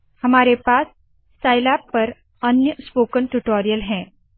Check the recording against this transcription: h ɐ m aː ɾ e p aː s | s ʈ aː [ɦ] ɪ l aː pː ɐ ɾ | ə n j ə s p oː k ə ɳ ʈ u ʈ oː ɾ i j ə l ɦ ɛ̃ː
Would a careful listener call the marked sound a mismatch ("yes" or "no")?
yes